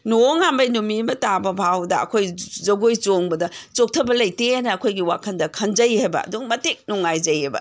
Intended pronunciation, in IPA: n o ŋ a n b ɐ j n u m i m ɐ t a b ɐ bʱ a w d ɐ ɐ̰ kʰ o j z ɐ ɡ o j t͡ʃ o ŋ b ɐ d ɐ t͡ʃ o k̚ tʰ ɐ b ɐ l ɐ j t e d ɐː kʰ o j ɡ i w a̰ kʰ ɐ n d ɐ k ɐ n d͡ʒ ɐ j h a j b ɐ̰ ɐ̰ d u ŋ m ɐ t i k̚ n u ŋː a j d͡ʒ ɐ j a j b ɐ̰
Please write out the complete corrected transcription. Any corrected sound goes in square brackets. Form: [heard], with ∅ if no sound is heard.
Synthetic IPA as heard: n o ŋ a [m] b ɐ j n u m i m ɐ t a b ɐ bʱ a w d ɐ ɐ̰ kʰ o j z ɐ ɡ o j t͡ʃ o ŋ b ɐ d ɐ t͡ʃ o k̚ tʰ ɐ b ɐ l ɐ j t e [n] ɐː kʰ o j ɡ i w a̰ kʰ ɐ n d ɐ [kʰ] ɐ n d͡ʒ ɐ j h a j b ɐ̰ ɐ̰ d u ŋ m ɐ t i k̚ n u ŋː a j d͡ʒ ɐ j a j b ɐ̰